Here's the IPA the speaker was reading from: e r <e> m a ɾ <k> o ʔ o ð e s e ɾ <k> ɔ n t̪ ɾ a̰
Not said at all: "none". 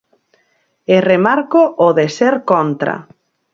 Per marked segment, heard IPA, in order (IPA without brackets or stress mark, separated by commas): e, k, k